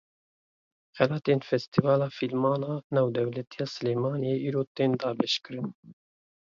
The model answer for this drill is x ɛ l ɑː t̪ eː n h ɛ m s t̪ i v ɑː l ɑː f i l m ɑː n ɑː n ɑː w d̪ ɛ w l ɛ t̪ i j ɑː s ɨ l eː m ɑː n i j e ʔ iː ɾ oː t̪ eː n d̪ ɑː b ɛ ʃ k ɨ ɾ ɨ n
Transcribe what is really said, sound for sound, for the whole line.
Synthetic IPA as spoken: x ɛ l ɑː t̪ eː n f ɛ s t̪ i v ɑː l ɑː f i l m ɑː n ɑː n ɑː w d̪ ɛ w l ɛ t̪ i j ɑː s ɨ l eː m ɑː n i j e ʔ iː ɾ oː t̪ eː n d̪ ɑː b ɛ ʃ k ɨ ɾ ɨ n